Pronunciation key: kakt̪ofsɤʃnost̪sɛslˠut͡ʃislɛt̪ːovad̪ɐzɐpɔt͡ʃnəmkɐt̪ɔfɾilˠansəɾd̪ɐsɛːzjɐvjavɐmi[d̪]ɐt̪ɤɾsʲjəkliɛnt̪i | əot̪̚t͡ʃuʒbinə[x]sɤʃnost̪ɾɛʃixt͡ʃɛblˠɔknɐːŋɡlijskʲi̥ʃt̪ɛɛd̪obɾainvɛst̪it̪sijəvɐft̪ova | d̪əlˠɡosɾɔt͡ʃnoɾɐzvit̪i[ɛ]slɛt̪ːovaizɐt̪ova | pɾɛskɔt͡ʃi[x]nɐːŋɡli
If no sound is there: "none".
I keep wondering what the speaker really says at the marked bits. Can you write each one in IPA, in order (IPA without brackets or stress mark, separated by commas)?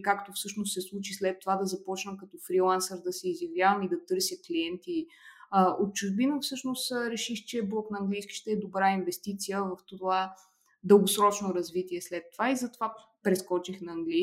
d̪, f, ɛ, x